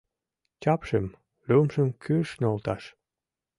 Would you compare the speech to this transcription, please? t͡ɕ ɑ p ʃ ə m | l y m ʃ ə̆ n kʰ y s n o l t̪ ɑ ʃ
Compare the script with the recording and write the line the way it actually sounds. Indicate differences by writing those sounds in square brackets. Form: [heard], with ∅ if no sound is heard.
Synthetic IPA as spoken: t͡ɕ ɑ p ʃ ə m | l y m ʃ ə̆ [m] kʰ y [ʃ] n o l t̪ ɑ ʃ